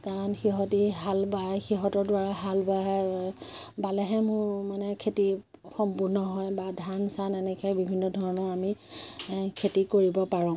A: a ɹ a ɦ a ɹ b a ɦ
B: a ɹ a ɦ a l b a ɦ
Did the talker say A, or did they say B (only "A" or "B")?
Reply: B